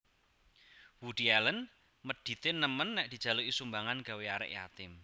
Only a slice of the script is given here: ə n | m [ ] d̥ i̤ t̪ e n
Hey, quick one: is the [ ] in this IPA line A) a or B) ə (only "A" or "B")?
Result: B